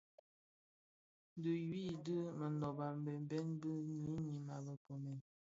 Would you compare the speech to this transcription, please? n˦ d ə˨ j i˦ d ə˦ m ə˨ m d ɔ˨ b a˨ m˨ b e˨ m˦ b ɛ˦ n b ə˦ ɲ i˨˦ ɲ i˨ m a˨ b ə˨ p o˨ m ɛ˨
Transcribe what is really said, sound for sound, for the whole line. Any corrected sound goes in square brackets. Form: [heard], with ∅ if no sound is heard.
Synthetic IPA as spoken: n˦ d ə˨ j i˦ d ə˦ m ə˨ [n] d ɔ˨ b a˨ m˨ b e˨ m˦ b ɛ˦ n b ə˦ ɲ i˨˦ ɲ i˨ m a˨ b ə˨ p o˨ m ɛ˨